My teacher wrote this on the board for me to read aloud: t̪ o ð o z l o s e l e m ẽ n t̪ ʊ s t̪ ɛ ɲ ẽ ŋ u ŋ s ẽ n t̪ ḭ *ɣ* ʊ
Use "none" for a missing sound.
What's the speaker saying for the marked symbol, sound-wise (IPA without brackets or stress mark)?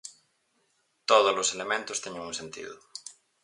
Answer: ð